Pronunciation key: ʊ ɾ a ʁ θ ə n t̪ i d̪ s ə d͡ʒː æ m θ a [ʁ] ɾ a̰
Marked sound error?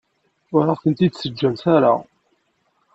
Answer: yes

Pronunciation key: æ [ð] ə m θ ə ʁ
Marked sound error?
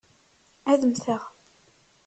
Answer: no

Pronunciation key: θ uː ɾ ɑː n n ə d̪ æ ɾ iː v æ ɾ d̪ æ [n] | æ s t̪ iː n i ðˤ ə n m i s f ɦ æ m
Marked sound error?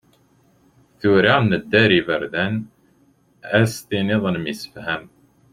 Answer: no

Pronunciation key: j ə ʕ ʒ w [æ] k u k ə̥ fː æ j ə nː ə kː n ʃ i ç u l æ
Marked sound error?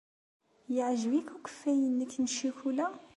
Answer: yes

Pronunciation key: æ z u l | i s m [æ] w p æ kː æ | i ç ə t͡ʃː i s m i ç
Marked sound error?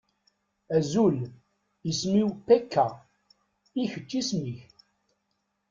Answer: yes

